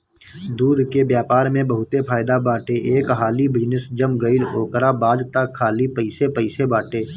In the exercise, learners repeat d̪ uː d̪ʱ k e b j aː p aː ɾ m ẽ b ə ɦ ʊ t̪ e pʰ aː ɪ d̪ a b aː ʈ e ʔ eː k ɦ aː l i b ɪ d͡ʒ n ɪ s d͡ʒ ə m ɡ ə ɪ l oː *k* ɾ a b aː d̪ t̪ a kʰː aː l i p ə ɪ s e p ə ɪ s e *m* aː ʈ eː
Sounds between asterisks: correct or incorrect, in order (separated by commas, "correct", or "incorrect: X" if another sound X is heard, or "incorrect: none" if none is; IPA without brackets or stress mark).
correct, incorrect: b